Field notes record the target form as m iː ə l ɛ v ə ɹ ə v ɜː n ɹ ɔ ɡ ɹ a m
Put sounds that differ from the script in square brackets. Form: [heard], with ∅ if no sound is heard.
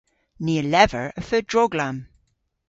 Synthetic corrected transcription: [n] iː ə l ɛ v ə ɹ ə [f] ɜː [d] ɹ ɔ ɡ [l] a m